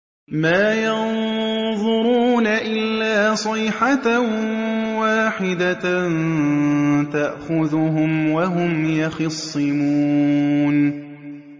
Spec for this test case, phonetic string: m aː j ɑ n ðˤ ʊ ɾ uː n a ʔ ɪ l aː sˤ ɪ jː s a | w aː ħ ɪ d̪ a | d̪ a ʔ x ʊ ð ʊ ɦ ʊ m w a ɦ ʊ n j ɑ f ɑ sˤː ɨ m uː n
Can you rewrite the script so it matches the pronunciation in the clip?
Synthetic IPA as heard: m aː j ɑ n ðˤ ʊ ɾ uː n a ʔ ɪ lː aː sˤ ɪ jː ħ a | w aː ħ ɪ d̪ a | t̪ a ʔ x ʊ ð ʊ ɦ ʊ m w a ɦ ʊ m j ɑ x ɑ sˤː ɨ m uː n